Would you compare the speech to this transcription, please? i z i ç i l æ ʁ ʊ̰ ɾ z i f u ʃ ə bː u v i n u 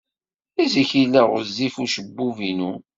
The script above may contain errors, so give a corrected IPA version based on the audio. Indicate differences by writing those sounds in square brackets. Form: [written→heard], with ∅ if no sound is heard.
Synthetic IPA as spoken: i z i ç i l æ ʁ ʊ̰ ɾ z i f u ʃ ə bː u v i n u